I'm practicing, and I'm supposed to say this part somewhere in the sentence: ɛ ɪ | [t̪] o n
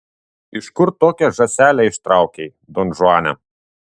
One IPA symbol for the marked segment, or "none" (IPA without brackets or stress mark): d̪